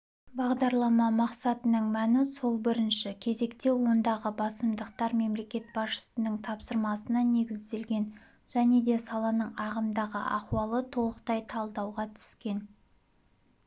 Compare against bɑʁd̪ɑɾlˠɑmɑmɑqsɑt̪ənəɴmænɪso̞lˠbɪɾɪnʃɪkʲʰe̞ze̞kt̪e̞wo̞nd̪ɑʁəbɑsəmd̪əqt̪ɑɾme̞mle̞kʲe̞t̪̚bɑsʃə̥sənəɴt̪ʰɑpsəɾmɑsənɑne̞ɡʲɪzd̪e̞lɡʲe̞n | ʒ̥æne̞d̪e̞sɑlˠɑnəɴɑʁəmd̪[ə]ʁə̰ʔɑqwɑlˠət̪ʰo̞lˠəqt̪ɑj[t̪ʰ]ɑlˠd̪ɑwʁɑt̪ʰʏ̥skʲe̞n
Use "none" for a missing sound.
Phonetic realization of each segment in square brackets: ɑ, t̪ʰ

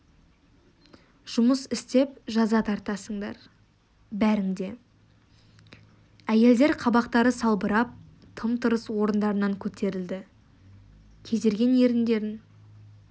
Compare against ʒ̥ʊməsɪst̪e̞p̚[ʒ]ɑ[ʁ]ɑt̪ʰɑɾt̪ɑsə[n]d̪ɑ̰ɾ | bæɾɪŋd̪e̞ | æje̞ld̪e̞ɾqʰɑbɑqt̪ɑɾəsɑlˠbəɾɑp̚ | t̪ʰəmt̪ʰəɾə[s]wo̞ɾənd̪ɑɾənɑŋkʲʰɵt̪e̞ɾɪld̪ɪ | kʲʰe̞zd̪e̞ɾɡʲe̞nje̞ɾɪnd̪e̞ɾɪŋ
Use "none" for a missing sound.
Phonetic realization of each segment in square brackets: ʒ, z, ɴ, s

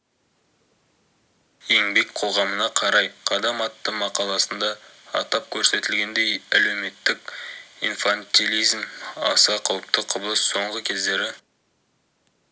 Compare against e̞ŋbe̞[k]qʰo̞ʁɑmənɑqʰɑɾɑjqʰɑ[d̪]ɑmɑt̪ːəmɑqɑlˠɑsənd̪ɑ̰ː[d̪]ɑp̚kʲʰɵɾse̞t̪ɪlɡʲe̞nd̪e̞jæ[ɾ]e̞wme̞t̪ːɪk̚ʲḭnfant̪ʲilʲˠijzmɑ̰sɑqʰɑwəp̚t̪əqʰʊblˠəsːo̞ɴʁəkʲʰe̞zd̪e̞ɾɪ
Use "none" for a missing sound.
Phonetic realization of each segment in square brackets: k, d̪, t̪, l

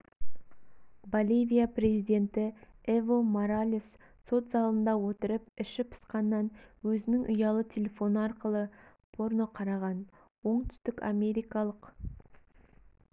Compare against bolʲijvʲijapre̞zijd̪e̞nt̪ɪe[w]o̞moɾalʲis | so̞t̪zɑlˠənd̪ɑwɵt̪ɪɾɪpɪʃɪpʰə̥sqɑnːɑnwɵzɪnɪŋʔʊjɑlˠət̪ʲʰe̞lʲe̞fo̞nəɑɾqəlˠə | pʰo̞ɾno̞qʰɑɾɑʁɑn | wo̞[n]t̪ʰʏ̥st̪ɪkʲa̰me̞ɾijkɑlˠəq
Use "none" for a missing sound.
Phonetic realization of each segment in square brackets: v, ɴ

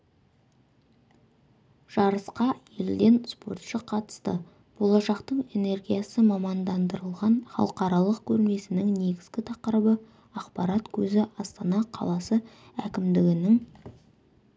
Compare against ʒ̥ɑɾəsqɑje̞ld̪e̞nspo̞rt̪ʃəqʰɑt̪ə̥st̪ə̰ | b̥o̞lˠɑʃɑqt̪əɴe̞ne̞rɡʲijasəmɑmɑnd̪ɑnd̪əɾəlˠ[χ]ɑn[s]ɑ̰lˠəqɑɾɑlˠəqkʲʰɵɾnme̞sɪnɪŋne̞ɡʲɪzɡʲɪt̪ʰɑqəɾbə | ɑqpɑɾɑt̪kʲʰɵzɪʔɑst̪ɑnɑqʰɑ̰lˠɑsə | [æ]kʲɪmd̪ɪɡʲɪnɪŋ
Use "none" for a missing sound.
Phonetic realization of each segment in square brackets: ʁ, χ, æ

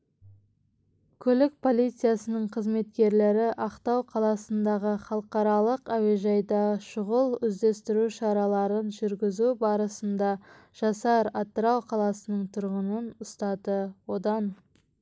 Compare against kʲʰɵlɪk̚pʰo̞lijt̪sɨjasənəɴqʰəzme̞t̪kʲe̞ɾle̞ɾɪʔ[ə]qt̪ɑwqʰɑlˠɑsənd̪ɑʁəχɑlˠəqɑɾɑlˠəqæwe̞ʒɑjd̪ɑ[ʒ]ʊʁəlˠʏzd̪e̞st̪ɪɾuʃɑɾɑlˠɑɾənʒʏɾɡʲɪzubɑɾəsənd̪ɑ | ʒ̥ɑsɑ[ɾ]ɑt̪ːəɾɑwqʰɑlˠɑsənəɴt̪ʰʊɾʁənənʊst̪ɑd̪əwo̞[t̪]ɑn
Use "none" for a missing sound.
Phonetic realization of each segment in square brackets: ɑ, ʃ, ɾ, d̪

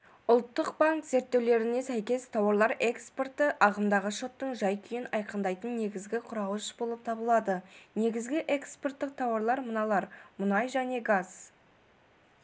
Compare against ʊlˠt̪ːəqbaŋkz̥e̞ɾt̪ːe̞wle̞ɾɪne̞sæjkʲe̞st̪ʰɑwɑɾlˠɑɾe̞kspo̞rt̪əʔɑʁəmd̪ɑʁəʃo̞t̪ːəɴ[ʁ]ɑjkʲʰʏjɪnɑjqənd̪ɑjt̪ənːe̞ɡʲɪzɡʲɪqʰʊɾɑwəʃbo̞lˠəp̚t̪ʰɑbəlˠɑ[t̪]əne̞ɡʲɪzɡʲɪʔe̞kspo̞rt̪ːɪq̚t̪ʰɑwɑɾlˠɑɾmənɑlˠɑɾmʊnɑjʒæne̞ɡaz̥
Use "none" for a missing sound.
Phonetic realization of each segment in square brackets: ʒ, d̪

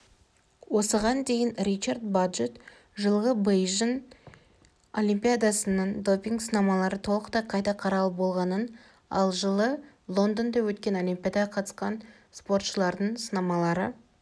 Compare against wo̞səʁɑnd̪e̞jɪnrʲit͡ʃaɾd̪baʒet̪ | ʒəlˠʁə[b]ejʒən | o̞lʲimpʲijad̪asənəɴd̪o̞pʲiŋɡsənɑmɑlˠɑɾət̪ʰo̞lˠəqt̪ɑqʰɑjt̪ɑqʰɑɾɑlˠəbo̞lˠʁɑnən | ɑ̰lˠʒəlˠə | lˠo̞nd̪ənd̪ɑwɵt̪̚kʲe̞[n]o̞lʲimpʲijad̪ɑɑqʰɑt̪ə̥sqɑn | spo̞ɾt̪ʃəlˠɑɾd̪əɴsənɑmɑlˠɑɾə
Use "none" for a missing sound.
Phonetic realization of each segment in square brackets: b, n

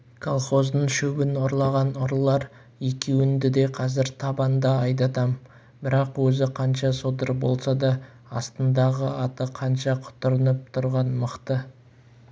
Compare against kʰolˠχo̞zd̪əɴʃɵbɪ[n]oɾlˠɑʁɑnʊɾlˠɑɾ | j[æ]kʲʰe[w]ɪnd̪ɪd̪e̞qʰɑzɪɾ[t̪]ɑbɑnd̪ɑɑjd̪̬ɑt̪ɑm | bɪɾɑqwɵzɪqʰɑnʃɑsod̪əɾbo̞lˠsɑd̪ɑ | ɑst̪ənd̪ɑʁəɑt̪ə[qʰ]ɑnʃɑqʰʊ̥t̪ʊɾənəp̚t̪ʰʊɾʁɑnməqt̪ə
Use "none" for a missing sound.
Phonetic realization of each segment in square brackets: n, e, w, t̪ʰ, qʰ

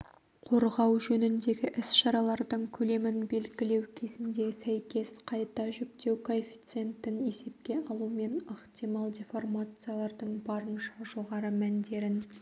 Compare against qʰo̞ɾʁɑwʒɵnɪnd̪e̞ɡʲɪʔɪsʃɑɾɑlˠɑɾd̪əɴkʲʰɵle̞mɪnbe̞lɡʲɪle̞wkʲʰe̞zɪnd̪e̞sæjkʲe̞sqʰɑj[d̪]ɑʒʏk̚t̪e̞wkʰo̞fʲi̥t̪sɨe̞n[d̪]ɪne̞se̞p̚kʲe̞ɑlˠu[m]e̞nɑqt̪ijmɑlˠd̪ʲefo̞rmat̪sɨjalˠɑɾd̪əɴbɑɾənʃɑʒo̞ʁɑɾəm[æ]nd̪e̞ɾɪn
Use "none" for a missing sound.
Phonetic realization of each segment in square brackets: t̪, t̪, m, æ

